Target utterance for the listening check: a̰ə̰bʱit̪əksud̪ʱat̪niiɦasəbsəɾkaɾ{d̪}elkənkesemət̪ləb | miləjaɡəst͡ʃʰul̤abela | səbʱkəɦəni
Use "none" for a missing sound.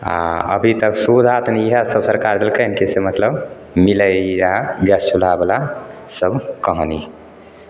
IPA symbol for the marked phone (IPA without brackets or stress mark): d̪